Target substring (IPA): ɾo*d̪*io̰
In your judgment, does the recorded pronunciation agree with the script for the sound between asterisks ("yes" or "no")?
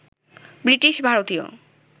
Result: no